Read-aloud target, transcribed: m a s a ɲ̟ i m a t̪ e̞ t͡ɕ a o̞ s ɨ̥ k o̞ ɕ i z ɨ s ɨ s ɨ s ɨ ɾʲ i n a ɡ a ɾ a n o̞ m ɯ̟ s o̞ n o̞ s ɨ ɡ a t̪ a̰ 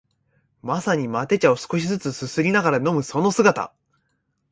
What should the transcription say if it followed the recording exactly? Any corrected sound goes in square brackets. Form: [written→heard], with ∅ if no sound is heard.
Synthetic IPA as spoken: m a s a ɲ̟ i m a t̪ e̞ t͡ɕ a o̞ s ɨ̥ k o̞ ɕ i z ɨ [s→t͡s] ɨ s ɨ s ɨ ɾʲ i n a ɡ a ɾ a n o̞ m ɯ̟ s o̞ n o̞ s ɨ ɡ a t̪ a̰